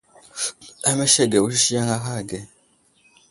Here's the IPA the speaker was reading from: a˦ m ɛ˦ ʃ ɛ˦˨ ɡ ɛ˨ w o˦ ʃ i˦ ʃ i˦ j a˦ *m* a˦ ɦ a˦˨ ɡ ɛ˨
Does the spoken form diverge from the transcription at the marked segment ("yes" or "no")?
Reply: yes